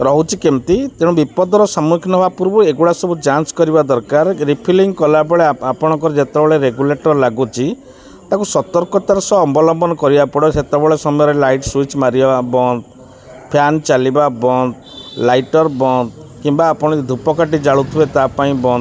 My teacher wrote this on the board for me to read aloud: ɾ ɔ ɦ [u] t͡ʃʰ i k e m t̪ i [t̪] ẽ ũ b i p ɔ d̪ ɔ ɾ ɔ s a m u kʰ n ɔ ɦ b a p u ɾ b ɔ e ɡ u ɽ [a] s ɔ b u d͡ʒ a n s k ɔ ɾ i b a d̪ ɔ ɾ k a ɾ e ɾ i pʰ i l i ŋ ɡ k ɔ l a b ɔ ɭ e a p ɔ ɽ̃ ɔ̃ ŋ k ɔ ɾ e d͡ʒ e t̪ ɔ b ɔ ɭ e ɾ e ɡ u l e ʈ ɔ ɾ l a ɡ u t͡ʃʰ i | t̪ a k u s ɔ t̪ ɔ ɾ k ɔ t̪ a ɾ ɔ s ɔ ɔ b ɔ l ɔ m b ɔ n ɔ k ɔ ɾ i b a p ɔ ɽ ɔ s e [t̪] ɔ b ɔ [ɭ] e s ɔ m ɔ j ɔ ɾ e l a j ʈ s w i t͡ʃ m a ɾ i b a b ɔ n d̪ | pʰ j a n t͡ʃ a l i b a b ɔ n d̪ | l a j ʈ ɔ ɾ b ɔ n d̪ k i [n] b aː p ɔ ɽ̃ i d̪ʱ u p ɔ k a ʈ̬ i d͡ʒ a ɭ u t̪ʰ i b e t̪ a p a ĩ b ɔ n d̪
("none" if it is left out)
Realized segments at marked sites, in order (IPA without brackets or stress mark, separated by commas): u, t̪, a, t̪, ɭ, m